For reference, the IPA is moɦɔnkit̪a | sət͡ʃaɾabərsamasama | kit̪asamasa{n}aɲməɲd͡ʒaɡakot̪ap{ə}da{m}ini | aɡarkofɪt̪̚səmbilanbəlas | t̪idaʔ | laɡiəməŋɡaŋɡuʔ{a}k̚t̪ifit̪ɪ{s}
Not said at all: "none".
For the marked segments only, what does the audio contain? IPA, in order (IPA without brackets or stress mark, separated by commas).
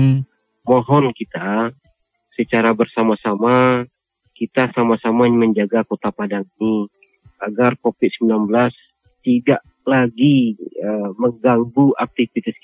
m, a, ŋ, a, s